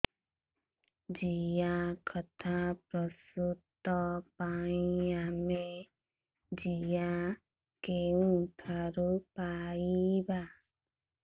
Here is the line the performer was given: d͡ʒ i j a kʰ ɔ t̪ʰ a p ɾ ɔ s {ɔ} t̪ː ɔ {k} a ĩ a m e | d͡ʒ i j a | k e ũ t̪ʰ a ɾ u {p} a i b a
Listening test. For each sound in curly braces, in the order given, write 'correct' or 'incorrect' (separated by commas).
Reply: incorrect, incorrect, correct